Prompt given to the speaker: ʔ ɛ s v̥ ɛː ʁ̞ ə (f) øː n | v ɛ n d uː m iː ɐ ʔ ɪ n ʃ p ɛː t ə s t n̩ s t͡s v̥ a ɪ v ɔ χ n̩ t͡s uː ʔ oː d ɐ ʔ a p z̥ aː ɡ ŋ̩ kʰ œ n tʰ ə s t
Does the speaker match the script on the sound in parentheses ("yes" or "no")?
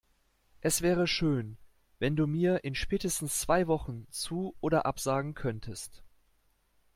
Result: no